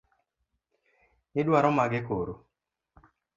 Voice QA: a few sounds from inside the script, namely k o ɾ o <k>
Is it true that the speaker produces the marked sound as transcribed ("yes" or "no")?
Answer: no